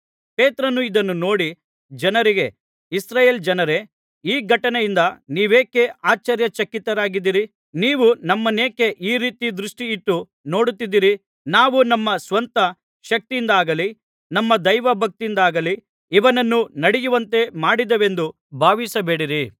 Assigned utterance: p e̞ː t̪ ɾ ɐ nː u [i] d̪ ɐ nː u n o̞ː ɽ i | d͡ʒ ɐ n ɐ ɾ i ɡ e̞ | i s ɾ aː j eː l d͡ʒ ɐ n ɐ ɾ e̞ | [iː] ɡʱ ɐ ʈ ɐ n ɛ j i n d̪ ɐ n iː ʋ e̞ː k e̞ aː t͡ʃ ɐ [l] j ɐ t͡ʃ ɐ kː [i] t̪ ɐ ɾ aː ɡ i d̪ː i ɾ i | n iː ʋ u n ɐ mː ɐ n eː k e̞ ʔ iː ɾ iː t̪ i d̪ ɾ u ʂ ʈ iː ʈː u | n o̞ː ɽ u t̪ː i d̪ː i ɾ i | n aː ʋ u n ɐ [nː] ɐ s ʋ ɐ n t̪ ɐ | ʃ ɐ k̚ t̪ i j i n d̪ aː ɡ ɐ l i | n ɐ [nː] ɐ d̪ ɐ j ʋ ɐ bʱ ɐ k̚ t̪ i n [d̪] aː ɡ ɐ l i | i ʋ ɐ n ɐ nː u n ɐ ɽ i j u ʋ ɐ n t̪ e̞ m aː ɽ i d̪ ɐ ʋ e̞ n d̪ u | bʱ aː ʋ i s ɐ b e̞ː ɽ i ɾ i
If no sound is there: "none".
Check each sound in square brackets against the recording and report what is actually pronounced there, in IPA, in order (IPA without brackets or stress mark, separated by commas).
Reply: i, iː, ɾ, i, mː, mː, d̪